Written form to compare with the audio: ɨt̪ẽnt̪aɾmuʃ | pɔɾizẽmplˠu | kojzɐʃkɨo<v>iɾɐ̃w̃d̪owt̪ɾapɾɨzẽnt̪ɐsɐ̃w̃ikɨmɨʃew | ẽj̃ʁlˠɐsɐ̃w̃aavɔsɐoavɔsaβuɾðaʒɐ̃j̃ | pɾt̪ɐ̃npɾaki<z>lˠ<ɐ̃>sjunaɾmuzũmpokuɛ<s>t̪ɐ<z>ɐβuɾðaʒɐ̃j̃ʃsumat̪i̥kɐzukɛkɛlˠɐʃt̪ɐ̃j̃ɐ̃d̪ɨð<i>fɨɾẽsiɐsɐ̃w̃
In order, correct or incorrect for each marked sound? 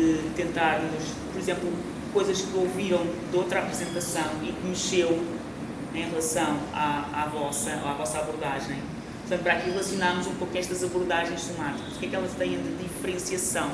correct, incorrect: ʁ, incorrect: ɐ, incorrect: ʃ, correct, correct

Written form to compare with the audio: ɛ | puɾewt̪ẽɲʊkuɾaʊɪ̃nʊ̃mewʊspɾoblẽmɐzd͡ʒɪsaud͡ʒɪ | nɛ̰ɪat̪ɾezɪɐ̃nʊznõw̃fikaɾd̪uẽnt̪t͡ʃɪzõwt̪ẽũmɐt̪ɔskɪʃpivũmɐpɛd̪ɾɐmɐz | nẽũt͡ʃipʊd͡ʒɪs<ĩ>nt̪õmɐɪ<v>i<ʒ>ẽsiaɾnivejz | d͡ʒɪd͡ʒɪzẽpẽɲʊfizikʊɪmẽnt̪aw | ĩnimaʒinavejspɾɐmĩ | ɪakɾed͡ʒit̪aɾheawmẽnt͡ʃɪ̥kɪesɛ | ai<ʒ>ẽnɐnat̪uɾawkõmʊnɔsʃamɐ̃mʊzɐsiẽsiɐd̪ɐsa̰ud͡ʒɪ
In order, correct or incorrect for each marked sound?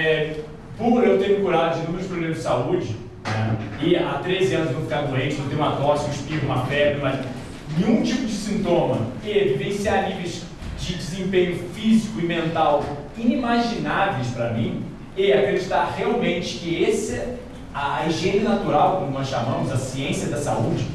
correct, correct, incorrect: v, correct

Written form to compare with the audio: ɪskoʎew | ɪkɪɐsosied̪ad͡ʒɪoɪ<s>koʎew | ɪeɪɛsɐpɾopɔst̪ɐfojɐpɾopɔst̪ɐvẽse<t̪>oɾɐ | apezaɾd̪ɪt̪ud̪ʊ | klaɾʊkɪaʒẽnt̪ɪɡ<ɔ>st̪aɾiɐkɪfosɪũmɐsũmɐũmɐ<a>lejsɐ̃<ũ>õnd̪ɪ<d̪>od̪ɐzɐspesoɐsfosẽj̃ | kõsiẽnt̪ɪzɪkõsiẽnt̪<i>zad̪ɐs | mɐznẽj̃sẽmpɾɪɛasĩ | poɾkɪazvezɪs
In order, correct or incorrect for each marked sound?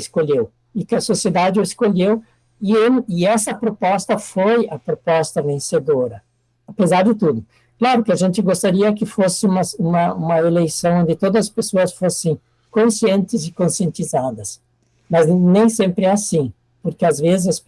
correct, incorrect: d̪, incorrect: o, incorrect: e, incorrect: w̃, incorrect: t̪, correct

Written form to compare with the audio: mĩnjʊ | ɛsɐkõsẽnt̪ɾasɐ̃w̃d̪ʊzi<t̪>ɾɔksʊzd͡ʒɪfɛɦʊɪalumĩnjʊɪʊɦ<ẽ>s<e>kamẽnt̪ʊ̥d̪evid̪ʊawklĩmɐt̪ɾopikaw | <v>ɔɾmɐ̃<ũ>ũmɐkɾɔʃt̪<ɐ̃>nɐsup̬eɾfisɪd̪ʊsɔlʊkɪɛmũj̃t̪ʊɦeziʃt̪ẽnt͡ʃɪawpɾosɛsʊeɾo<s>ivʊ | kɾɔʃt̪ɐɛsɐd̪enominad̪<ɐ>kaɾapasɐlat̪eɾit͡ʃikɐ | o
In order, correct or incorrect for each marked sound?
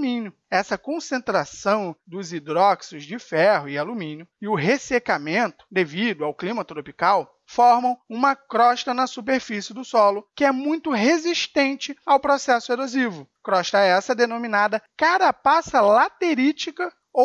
incorrect: d̪, incorrect: e, correct, incorrect: f, incorrect: w̃, incorrect: ɐ, incorrect: z, correct

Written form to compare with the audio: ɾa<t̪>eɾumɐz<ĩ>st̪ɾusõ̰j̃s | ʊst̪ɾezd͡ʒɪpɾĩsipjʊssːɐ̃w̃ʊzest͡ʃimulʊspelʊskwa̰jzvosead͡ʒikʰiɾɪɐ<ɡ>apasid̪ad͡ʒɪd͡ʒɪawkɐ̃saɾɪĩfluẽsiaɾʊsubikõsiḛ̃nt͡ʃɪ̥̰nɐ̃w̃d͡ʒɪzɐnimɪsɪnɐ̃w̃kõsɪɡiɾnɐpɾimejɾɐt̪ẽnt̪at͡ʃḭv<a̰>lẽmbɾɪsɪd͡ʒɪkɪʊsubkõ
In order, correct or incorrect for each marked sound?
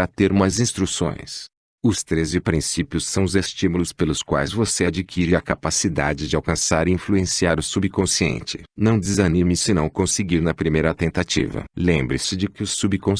correct, correct, incorrect: k, incorrect: ɐ̰

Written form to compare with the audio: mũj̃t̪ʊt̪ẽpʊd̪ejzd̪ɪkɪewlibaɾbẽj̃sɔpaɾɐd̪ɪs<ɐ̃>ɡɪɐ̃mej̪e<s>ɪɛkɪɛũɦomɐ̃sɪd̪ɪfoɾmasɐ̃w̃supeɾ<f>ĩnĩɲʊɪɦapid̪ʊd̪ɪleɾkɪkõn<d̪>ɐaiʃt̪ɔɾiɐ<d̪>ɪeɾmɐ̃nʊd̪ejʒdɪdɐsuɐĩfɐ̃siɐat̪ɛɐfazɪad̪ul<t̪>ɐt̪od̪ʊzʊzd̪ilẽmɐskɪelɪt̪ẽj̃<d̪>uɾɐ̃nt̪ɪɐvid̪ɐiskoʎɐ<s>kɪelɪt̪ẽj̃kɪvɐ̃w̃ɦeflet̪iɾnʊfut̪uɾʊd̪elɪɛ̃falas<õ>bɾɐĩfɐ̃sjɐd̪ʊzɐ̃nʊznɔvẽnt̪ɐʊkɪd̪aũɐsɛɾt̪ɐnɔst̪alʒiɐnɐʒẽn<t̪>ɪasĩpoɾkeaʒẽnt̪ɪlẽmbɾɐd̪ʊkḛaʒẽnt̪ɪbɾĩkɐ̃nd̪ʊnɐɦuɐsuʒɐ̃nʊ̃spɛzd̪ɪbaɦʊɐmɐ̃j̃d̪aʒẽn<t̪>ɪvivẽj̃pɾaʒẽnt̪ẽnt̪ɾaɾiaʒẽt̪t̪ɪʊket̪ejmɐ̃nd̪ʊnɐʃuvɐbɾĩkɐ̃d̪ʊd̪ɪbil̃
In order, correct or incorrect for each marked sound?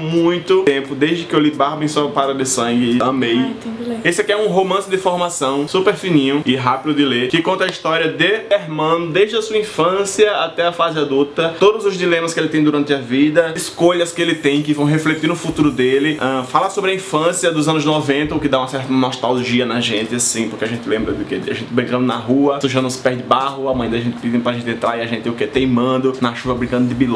correct, correct, correct, incorrect: t̪, correct, correct, correct, correct, incorrect: o, correct, correct

